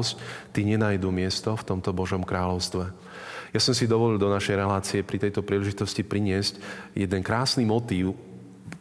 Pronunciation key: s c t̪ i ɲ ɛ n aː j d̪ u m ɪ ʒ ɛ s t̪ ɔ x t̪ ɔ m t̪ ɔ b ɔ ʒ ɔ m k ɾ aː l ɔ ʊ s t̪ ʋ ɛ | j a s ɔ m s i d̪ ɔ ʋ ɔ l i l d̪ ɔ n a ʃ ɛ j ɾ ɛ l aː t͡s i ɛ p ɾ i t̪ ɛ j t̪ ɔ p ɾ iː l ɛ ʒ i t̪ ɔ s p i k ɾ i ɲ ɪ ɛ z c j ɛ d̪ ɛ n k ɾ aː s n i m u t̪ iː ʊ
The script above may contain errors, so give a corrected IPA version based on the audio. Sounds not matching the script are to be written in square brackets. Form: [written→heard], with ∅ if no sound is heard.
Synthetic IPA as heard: s c t̪ i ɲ ɛ n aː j d̪ u m ɪ [ʒ→∅] ɛ s t̪ ɔ [x→f] t̪ ɔ m t̪ ɔ b ɔ ʒ ɔ m k ɾ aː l ɔ ʊ s t̪ ʋ ɛ | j a s ɔ m s i d̪ ɔ ʋ ɔ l i l d̪ ɔ n a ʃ ɛ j ɾ ɛ l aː t͡s i ɛ p ɾ i t̪ ɛ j t̪ ɔ p ɾ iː l ɛ ʒ i t̪ ɔ s [p→c] i [k→p] ɾ i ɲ ɪ ɛ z c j ɛ d̪ ɛ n k ɾ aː s n i m [u→ɔ] t̪ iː ʊ